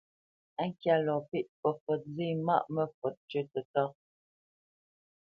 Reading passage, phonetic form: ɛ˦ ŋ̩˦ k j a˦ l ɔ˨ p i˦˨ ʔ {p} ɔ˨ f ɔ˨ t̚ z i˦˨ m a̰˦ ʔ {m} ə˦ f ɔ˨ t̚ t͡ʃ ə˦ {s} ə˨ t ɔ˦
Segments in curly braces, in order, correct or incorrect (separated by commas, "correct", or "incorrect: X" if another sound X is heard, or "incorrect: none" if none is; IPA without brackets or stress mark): correct, correct, incorrect: t